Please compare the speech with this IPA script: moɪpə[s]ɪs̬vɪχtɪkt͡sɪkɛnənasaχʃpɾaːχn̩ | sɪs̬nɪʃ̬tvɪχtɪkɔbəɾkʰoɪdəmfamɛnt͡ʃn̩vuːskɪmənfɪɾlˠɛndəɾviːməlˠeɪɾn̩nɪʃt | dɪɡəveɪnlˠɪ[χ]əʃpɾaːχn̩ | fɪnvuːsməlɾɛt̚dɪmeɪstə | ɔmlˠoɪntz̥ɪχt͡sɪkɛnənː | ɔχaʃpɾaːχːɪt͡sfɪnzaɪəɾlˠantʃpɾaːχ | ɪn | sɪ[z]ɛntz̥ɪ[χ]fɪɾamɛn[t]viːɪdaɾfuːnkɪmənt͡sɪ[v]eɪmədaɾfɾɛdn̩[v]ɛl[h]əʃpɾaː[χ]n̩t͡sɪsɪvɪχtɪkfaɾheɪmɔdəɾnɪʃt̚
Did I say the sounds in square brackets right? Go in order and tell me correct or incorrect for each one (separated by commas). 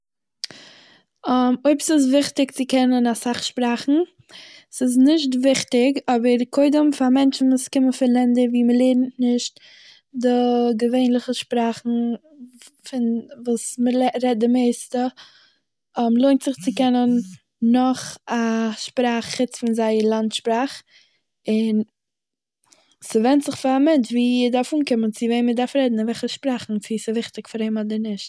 correct, correct, incorrect, correct, incorrect, correct, correct, incorrect, correct